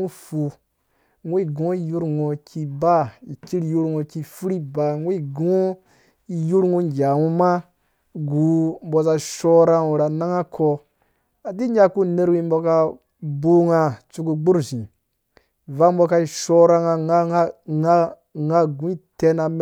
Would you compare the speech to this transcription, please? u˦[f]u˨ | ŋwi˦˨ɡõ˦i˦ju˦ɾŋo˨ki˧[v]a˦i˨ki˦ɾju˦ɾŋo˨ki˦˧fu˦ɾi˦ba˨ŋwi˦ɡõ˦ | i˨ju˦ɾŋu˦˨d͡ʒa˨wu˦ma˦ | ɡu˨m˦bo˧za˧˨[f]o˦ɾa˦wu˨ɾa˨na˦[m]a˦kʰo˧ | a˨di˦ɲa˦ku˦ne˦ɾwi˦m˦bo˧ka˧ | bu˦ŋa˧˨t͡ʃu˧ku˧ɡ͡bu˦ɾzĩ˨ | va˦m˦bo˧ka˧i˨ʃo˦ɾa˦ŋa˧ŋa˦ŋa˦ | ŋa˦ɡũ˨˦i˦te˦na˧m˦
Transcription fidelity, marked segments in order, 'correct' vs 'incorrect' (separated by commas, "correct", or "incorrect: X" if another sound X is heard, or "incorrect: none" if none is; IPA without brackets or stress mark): correct, incorrect: b, incorrect: ʃ, incorrect: ŋ